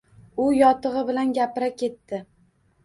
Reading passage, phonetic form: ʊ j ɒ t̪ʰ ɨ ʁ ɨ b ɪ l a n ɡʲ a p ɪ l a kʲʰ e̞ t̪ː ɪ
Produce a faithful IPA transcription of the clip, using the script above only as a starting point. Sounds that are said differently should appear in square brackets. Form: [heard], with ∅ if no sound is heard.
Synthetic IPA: ʊ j ɒ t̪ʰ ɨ ʁ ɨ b ɪ l a n ɡʲ a p ɪ [ɾ] a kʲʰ e̞ t̪ː ɪ